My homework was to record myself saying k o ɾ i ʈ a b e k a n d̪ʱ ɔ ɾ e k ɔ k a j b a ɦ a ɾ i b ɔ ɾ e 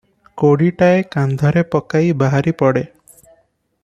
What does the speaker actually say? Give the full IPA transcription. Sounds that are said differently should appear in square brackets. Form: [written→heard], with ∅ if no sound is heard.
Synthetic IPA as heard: k o [ɾ→ɽ] i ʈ a [b→∅] e k a n d̪ʱ ɔ ɾ e [k→p] ɔ k a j b a ɦ a ɾ i [b→p] ɔ [ɾ→ɽ] e